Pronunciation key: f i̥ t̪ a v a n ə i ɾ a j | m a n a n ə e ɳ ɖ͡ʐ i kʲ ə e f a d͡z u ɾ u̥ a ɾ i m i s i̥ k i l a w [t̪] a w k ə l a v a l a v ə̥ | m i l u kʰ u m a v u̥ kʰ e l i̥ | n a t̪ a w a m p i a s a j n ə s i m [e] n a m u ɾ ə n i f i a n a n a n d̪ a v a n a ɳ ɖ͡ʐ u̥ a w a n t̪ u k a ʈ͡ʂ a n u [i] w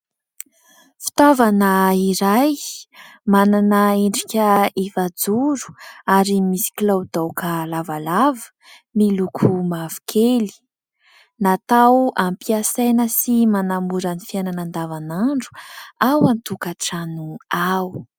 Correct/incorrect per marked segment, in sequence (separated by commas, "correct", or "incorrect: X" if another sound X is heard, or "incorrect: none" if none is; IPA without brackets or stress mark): incorrect: d̪, incorrect: a, incorrect: a